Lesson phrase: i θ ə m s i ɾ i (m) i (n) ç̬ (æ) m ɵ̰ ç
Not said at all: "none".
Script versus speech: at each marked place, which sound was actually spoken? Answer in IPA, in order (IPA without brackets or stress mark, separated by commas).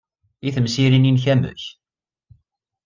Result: n, n, æ